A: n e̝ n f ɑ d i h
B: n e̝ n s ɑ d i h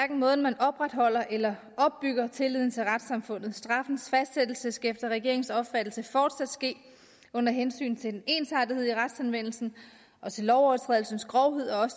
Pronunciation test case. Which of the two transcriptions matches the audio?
B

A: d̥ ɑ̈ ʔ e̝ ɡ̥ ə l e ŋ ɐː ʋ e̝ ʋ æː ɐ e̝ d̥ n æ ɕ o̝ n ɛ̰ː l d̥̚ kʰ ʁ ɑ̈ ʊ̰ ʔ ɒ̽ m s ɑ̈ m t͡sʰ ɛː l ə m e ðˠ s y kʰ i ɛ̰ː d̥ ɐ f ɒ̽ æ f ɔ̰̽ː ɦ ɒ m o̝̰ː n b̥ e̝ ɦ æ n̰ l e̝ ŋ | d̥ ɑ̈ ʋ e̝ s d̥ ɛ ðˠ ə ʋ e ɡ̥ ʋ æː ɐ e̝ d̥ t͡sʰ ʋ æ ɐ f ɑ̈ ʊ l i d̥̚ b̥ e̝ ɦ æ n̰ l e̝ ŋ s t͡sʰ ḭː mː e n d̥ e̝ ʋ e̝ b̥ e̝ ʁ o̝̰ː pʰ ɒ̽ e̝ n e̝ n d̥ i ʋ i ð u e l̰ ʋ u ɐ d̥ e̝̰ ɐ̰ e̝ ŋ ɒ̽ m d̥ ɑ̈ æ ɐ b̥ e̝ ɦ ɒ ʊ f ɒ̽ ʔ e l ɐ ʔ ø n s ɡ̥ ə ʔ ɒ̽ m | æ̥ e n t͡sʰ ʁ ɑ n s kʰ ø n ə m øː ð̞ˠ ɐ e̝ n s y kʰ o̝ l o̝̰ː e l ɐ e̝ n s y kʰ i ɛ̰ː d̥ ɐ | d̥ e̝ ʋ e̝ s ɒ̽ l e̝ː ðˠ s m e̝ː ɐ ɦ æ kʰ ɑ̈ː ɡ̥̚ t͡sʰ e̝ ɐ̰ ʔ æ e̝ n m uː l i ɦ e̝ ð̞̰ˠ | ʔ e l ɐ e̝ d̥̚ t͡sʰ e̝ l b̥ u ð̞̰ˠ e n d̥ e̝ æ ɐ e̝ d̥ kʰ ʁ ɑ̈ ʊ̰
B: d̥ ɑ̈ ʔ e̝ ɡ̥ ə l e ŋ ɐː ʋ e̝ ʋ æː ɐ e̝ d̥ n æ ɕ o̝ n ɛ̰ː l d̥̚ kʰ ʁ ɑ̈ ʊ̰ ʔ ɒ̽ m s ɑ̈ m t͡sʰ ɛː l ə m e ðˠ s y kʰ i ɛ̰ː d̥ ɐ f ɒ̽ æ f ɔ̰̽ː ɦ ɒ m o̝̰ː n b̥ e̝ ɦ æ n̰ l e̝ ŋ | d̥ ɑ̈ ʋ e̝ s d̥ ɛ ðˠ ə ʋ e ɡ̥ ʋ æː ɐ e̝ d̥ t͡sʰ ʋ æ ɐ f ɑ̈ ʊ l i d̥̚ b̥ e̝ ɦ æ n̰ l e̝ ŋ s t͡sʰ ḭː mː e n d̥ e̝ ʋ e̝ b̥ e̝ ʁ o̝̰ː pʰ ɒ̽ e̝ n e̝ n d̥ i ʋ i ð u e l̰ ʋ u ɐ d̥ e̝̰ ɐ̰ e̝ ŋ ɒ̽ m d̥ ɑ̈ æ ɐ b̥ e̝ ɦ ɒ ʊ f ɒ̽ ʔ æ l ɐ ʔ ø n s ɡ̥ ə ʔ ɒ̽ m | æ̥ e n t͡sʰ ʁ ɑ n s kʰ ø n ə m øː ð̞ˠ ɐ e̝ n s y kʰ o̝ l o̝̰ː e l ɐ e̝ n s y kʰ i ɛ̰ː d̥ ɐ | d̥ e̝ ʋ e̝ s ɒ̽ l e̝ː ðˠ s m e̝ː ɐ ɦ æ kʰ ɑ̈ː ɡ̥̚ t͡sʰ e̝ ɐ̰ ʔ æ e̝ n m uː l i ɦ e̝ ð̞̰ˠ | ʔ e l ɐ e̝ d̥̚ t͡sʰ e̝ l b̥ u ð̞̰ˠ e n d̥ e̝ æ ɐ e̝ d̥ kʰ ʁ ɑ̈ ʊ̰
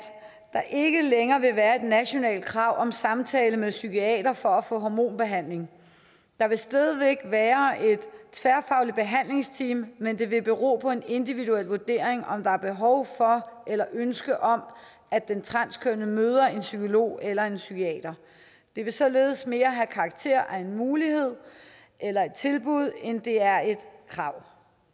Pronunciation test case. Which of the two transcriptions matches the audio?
A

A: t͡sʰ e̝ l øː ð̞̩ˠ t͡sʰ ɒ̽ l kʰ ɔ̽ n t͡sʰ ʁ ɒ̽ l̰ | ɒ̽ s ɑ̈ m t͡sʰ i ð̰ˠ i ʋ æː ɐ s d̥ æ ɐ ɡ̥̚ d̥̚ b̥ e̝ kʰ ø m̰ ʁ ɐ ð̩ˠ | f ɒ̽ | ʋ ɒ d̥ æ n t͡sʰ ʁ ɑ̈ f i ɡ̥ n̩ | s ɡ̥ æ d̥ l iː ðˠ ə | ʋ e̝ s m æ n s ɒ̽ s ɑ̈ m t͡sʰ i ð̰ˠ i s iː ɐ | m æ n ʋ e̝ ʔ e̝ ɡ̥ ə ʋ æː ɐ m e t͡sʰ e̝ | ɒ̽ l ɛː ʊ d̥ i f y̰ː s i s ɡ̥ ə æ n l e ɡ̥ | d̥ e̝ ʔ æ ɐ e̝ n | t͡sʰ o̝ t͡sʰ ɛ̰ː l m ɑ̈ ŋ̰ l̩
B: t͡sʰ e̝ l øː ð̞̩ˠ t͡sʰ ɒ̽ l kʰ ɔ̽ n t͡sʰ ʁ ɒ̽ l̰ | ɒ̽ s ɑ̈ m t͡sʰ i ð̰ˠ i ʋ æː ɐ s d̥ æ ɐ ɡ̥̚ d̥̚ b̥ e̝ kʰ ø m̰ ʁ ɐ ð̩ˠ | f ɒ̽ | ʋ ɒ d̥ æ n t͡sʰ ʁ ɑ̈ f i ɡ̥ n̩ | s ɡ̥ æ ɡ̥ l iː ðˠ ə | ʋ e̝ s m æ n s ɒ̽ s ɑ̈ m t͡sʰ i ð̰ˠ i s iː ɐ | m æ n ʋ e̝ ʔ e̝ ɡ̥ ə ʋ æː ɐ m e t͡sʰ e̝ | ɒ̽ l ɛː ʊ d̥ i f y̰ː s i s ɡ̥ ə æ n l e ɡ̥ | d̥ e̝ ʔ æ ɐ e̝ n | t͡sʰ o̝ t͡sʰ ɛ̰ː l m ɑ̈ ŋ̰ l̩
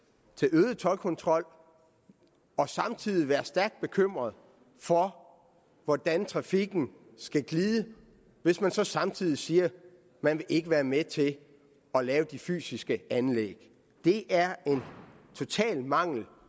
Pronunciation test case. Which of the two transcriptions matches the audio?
B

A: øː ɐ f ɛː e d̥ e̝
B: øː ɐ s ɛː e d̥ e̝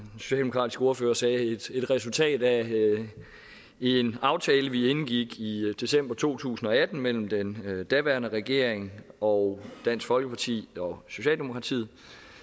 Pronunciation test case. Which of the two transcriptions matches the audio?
B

